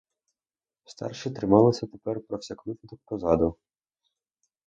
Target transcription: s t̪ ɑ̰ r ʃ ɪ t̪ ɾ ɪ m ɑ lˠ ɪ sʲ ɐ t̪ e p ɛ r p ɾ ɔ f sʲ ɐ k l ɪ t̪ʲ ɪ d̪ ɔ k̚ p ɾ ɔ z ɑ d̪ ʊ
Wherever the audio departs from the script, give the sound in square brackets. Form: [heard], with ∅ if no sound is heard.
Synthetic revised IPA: s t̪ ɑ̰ r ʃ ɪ t̪ ɾ ɪ m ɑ lˠ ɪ sʲ ɐ t̪ e p ɛ r p ɾ ɔ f sʲ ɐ k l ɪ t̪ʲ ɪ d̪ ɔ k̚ p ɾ ɔ z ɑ d̪ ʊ